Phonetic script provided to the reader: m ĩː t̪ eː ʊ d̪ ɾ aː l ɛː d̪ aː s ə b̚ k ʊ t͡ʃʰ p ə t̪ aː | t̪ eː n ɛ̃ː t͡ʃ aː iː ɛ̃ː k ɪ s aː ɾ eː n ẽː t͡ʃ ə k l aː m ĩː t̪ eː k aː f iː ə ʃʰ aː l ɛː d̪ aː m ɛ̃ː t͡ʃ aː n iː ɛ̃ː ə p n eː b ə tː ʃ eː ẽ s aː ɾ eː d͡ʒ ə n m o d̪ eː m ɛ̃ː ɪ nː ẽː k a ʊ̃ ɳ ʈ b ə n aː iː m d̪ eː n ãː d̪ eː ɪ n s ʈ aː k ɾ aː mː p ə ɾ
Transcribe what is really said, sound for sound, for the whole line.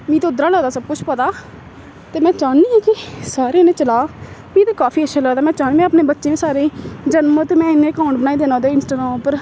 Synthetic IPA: m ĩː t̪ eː ʊ d̪ ɾ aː l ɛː d̪ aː s ə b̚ k ʊ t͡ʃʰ p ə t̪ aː | t̪ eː m ɛ̃ː t͡ʃ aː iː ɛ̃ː k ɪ s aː ɾ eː n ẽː t͡ʃ ə l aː m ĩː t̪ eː k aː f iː ə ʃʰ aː l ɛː d̪ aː m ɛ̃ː t͡ʃ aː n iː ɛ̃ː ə p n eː b ə tː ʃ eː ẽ s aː ɾ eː d͡ʒ ə n m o t̪ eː m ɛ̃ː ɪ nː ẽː k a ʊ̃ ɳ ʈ b ə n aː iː d̪ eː n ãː d̪ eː ɪ n s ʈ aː ɡ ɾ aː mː p ə ɾ